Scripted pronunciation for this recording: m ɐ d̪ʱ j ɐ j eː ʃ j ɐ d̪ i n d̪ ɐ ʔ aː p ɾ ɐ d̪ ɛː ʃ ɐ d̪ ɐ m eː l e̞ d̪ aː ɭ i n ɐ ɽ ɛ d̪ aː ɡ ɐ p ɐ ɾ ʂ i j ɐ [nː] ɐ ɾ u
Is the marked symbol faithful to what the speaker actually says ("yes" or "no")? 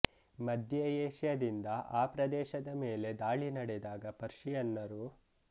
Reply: yes